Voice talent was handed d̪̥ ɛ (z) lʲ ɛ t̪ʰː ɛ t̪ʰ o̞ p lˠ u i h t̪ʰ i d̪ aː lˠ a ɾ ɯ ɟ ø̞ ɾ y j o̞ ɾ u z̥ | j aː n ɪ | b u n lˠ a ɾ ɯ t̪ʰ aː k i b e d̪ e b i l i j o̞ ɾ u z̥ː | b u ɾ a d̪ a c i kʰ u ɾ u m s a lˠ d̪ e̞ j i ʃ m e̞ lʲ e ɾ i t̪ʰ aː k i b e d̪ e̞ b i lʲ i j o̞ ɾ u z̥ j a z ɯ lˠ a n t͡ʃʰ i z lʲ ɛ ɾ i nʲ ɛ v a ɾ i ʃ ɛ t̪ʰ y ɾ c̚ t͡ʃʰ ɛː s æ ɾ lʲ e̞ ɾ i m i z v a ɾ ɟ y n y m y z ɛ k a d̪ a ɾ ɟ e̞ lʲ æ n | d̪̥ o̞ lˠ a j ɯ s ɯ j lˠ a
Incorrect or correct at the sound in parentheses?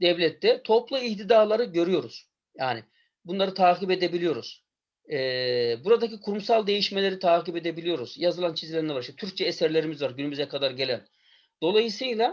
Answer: incorrect: v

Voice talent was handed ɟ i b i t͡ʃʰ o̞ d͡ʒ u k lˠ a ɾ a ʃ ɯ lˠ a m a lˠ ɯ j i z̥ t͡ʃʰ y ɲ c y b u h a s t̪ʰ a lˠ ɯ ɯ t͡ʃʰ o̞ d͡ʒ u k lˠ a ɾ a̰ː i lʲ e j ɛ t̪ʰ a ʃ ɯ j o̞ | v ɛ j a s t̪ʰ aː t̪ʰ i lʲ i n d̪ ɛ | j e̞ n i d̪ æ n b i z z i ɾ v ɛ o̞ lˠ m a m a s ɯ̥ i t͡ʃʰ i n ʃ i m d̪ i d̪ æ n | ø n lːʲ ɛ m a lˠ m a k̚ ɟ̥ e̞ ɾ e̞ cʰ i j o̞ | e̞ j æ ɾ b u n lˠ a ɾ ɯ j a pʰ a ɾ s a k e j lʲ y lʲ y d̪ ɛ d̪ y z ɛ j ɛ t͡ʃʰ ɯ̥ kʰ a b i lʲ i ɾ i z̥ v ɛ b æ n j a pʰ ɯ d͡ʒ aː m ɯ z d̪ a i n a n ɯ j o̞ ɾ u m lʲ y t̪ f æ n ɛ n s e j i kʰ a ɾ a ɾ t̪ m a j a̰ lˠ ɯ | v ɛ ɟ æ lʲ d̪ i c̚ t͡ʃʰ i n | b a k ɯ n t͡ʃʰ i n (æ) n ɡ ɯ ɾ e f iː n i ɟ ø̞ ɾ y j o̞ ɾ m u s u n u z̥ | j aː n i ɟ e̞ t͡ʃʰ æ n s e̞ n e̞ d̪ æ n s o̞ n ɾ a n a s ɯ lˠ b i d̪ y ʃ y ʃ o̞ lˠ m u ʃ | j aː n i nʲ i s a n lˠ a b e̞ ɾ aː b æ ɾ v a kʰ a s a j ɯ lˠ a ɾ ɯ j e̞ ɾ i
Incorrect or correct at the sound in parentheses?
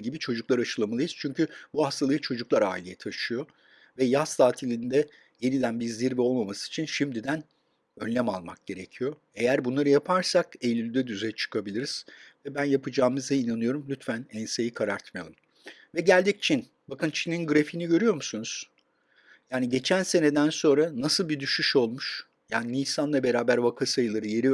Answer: incorrect: i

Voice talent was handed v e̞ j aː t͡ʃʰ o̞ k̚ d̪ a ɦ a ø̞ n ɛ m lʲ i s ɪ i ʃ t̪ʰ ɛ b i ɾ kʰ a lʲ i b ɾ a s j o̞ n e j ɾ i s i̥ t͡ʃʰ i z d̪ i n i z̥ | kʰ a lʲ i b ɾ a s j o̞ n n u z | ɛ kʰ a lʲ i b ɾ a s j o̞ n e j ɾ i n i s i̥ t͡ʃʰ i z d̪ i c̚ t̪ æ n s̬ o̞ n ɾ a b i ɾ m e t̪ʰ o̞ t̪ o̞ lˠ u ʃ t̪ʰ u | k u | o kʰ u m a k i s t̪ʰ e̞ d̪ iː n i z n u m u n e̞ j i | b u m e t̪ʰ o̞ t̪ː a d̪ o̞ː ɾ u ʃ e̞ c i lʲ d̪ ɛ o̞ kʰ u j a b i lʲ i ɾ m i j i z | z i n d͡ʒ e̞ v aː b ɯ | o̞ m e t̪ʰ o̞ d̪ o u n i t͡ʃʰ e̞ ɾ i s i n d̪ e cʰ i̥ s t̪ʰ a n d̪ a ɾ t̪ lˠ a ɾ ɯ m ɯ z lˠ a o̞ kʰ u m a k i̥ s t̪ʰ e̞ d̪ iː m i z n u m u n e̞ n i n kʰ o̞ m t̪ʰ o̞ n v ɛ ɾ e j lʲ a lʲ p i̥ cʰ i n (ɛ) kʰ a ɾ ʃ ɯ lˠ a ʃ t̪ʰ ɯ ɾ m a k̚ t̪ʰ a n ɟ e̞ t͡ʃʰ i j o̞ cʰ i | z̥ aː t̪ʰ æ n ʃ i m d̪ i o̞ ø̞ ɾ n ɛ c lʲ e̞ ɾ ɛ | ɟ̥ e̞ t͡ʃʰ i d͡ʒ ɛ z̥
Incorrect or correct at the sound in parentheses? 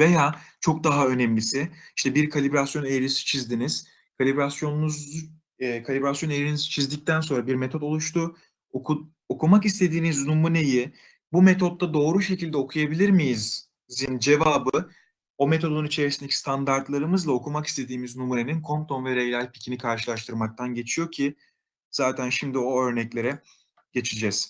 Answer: incorrect: i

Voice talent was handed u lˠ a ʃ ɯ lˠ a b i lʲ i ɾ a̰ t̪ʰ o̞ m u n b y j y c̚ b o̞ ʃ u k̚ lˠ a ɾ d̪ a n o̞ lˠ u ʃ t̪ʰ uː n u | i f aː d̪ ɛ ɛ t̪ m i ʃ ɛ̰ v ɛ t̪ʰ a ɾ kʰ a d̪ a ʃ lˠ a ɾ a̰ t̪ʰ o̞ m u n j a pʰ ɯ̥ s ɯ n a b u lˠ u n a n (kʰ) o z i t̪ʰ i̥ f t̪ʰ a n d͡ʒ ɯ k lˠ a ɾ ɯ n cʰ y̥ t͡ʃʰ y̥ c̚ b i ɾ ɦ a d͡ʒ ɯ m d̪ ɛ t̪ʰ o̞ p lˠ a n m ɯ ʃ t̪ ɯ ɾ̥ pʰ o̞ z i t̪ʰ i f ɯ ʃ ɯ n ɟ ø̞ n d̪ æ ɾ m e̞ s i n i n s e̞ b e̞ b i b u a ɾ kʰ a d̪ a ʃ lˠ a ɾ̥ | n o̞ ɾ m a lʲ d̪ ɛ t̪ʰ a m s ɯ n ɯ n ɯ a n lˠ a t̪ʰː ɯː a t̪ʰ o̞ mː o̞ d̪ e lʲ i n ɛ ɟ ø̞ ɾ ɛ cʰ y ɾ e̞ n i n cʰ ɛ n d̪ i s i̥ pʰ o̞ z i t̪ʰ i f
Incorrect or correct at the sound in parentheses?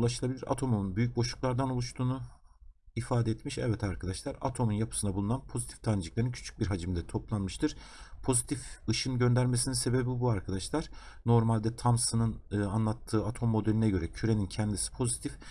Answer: incorrect: pʰ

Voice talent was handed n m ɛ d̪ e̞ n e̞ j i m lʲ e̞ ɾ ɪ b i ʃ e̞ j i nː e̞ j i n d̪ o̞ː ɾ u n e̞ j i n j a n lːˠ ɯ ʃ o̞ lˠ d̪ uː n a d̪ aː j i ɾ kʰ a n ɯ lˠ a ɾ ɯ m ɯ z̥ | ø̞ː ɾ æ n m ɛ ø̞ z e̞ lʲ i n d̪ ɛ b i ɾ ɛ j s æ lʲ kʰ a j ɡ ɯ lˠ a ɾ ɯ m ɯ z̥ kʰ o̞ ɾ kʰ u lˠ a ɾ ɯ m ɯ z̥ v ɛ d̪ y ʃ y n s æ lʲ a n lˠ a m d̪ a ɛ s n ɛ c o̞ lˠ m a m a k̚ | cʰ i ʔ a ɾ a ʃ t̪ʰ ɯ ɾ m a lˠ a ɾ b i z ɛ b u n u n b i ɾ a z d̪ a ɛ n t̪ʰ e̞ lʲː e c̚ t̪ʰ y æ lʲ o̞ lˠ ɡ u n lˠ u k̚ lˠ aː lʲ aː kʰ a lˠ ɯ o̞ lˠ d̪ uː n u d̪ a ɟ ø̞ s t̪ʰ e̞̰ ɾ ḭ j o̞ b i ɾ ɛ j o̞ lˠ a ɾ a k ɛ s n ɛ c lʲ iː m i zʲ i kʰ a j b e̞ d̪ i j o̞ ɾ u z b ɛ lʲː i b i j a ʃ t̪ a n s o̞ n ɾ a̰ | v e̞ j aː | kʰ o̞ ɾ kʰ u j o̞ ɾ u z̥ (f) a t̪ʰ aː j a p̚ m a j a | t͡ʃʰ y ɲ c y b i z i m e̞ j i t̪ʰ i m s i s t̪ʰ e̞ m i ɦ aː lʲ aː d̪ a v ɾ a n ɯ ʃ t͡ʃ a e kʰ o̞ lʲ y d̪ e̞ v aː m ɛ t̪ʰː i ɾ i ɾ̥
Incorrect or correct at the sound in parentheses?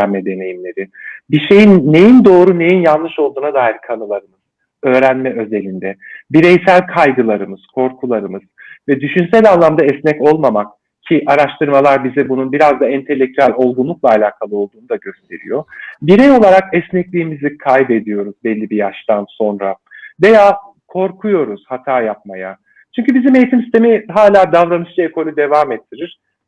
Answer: incorrect: h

